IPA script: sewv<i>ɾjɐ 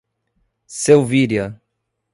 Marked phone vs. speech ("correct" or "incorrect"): correct